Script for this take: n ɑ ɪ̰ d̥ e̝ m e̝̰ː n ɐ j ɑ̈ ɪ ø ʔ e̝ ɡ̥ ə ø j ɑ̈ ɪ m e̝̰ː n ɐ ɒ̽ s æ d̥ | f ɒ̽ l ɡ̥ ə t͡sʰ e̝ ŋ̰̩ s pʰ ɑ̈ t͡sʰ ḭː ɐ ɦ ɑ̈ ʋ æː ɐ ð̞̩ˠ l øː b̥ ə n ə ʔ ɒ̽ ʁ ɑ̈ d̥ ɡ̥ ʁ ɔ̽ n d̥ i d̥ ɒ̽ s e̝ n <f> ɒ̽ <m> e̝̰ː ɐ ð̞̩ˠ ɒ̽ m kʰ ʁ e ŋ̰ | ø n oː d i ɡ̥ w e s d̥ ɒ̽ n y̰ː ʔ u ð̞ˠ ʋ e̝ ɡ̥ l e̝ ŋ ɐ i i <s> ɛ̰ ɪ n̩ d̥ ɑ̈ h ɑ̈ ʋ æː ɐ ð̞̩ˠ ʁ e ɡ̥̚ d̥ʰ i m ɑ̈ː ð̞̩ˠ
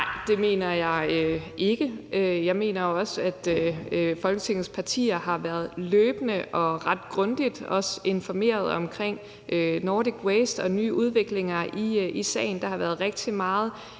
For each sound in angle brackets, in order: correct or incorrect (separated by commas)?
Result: correct, correct, correct